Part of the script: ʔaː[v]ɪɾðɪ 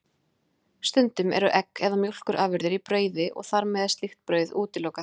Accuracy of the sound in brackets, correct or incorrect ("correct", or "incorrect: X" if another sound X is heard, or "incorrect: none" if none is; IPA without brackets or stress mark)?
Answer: correct